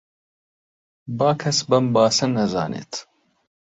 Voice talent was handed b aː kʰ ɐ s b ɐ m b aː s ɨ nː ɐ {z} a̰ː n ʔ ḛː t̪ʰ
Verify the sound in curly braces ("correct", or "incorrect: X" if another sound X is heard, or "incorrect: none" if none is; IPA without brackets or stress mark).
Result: correct